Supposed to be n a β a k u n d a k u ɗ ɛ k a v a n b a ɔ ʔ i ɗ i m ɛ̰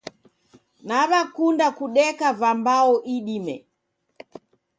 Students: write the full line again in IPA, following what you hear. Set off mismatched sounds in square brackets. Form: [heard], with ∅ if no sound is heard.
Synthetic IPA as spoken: n a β a k u n d a k u ɗ ɛ k a v a [m] b a ɔ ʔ i ɗ i m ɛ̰